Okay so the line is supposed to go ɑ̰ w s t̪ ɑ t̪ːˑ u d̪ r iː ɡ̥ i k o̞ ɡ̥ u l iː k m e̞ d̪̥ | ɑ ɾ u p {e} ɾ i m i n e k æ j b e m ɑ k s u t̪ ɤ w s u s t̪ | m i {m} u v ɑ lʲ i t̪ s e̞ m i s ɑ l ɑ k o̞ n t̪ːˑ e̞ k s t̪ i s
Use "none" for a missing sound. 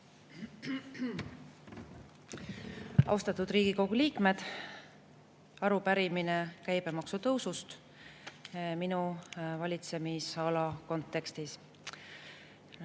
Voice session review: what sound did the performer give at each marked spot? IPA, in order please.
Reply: æ, n

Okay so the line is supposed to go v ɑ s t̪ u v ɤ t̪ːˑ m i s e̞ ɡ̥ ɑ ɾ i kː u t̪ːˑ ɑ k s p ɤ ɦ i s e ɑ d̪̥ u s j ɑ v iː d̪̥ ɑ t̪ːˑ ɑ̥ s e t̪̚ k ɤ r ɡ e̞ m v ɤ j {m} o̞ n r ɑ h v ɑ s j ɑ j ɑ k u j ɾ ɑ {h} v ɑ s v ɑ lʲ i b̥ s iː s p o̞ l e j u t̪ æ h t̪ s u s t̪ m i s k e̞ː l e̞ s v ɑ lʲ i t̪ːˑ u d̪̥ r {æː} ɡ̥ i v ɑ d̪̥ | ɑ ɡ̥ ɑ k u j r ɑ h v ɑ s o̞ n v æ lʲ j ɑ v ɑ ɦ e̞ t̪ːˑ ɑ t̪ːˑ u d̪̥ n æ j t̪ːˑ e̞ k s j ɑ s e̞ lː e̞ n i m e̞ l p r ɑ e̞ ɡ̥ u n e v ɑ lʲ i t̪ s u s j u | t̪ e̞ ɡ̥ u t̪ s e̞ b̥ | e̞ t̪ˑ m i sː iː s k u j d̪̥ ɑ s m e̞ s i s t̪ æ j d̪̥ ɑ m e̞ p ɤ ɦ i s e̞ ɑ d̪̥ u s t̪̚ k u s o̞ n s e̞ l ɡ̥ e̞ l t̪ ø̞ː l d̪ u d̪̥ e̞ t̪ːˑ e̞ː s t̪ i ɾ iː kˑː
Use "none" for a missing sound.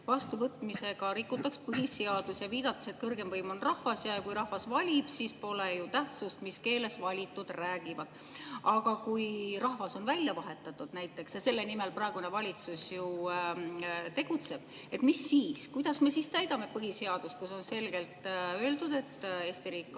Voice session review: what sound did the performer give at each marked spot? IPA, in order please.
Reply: m, h, æː

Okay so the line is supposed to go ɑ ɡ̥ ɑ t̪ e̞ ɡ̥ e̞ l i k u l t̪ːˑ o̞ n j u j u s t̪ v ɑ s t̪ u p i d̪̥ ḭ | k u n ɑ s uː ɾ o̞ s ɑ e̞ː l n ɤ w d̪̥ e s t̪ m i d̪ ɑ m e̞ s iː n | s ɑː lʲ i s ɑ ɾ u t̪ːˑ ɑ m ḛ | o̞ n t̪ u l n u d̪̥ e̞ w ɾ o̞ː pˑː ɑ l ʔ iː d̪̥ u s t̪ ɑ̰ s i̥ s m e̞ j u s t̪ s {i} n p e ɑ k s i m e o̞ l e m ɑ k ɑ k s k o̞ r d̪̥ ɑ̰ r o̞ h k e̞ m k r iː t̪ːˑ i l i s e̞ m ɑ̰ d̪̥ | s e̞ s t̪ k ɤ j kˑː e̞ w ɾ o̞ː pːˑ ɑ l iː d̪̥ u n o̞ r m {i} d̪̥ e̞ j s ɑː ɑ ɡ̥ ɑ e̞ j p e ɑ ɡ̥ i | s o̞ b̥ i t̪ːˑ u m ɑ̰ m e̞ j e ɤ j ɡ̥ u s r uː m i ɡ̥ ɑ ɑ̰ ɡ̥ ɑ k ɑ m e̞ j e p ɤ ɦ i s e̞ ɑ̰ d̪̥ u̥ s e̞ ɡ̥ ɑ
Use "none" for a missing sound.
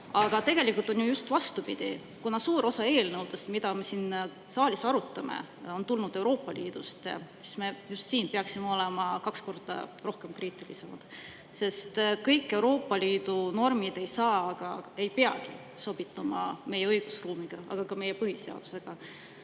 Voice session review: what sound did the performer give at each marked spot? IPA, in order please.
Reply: iː, i

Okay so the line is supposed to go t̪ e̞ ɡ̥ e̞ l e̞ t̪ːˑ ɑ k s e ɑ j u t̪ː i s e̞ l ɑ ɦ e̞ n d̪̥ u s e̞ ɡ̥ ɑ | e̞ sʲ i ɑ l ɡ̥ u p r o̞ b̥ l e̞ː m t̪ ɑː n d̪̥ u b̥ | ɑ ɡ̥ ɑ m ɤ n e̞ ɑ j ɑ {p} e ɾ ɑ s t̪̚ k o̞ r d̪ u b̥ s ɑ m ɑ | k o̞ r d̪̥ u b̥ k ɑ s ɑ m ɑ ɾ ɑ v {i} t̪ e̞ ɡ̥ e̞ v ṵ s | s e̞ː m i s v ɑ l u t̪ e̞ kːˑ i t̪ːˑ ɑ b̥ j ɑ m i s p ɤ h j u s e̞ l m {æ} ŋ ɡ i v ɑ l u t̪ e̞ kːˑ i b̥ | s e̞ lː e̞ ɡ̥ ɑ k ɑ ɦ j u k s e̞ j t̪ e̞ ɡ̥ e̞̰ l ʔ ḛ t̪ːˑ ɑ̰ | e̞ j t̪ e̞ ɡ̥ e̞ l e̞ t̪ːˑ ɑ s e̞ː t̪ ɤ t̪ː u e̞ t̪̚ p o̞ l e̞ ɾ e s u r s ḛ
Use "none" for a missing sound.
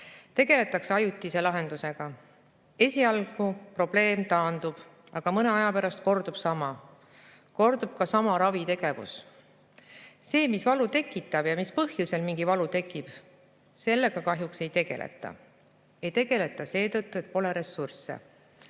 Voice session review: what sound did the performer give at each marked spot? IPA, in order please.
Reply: p, i, i

